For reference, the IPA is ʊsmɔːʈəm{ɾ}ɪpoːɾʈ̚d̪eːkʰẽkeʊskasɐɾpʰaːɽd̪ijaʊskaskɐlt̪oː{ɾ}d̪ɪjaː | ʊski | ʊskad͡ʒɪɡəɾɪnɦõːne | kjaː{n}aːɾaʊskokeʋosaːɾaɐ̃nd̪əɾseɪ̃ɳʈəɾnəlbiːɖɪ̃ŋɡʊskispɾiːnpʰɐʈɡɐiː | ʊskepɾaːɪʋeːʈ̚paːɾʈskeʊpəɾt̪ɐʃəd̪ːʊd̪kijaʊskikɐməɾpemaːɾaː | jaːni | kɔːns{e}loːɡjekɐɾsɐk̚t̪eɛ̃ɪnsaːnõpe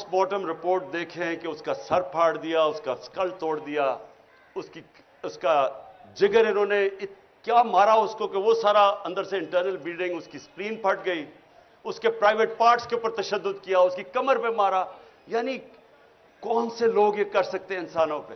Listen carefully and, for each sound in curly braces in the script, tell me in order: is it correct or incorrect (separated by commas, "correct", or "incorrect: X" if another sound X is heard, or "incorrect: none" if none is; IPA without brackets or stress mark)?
correct, incorrect: ɽ, incorrect: m, correct